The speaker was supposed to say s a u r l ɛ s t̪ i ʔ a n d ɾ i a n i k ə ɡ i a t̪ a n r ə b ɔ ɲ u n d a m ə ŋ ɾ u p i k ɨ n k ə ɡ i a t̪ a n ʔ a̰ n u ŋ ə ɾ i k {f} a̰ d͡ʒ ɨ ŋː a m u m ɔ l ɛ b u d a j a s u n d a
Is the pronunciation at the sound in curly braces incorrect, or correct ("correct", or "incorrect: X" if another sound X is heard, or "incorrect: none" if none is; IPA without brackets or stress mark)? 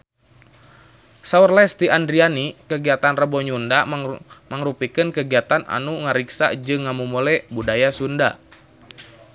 incorrect: s